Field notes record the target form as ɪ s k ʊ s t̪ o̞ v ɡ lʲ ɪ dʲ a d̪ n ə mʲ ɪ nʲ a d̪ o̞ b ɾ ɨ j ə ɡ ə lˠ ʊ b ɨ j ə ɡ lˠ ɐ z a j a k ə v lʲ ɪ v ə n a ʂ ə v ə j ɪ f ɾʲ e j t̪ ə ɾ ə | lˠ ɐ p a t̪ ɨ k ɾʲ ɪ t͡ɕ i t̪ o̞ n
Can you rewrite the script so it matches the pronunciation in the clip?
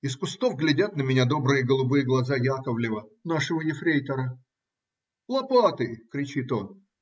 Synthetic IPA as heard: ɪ s k ʊ s t̪ o̞ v ɡ lʲ ɪ dʲ a t̪ n ə mʲ ɪ nʲ a d̪ o̞ b ɾ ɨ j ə ɡ ə lˠ ʊ b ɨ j ə ɡ lˠ ɐ z a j a k ə v lʲ ɪ v ə n a ʂ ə v ə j ɪ f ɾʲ e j t̪ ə ɾ ə | lˠ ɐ p a t̪ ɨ k ɾʲ ɪ t͡ɕ i t̪ o̞ n